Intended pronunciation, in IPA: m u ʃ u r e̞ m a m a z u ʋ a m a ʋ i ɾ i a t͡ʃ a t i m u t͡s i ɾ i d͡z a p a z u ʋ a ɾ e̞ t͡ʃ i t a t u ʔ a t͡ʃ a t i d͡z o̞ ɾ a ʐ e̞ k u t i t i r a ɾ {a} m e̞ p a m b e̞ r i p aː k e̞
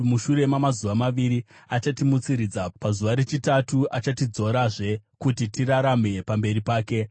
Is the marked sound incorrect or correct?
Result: correct